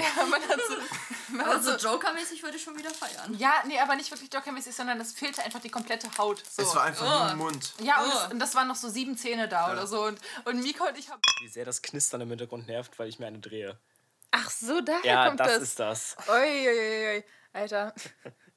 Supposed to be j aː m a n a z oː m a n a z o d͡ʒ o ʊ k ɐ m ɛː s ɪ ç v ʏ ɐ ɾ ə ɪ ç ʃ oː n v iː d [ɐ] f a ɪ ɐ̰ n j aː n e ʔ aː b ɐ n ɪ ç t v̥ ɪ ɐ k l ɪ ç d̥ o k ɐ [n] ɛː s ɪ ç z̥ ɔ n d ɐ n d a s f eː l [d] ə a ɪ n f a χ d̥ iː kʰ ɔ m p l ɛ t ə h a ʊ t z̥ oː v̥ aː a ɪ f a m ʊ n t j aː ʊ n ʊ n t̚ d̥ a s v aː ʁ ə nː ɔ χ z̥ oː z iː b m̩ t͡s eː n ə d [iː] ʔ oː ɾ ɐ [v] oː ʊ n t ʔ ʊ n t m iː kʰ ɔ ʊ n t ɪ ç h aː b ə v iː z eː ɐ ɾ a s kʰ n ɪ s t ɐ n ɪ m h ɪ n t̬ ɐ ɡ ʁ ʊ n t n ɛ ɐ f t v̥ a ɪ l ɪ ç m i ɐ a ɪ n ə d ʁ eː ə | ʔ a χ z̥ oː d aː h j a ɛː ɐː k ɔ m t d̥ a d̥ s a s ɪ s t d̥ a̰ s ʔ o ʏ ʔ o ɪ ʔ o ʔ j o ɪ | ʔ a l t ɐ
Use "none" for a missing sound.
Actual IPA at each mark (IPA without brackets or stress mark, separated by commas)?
ɐ, m, t, aː, z